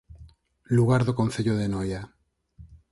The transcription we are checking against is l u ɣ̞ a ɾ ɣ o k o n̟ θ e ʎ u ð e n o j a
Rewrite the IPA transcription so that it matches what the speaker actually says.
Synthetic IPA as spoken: l u ɣ̞ a ɾ ð o k o n̟ θ e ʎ o ð e n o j a